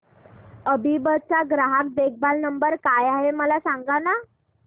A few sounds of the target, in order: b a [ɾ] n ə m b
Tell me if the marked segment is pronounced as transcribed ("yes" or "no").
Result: no